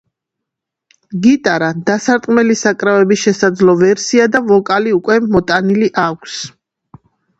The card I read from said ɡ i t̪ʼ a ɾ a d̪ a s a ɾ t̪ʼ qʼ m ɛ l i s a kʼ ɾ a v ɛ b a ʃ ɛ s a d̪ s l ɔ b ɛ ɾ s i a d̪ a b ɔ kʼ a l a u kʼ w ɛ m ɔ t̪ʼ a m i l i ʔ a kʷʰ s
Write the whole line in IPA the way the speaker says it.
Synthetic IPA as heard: ɡ i t̪ʼ a ɾ a d̪ a s a ɾ t̪ʼ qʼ m ɛ l i s a kʼ ɾ a v ɛ b i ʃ ɛ s a d̪ z l ɔ v ɛ ɾ s i a d̪ a v ɔ kʼ a l i u kʼ w ɛ m ɔ t̪ʼ a n i l i ʔ a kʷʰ s